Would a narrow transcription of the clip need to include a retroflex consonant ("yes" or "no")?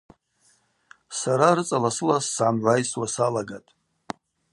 no